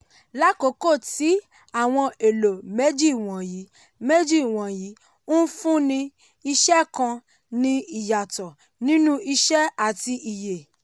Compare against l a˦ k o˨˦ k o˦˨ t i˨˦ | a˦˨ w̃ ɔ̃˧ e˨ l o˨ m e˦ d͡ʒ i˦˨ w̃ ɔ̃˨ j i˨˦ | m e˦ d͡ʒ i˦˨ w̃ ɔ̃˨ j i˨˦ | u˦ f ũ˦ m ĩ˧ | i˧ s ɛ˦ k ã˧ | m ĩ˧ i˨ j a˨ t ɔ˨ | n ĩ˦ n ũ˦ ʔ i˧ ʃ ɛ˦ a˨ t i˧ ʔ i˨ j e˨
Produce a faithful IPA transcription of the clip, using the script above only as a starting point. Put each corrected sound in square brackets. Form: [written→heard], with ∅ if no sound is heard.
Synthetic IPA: l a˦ k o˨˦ k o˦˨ t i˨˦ | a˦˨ w̃ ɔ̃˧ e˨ l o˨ m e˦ d͡ʒ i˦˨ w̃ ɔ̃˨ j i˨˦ | m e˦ d͡ʒ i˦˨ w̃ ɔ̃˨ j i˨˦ | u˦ f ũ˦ [m→n] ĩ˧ | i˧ [s→ʃ] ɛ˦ k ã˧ | [m→n] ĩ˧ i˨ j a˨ t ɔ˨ | n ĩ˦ n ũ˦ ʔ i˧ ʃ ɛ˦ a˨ t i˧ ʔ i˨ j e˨